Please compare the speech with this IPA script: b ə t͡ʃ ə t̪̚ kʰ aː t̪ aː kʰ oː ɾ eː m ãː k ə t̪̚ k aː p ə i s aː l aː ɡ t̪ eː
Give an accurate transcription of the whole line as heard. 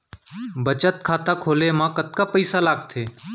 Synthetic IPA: b ə t͡ʃ ə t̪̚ kʰ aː t̪ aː kʰ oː l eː m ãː k ə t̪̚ k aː p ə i s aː l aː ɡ t̪ʰ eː